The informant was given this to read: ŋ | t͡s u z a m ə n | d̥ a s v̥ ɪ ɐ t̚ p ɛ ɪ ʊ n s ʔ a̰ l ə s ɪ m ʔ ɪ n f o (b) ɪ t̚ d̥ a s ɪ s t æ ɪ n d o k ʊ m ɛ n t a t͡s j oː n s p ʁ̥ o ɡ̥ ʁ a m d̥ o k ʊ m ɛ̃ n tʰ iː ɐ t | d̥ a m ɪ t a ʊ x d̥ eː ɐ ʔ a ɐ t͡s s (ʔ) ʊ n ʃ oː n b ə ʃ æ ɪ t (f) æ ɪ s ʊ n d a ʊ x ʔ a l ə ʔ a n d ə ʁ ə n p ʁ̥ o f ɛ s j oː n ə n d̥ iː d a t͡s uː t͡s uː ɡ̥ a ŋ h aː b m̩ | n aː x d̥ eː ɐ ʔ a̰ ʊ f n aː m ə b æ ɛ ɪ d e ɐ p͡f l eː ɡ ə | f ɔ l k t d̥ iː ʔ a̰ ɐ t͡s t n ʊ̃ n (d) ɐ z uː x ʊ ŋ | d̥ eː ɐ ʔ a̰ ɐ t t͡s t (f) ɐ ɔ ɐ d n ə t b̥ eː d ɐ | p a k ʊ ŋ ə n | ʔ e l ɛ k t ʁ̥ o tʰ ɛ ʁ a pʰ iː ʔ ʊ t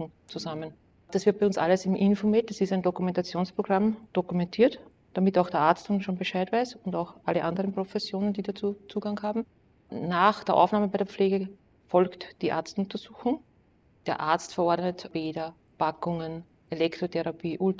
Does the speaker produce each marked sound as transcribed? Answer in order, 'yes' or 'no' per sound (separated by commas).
no, no, no, no, yes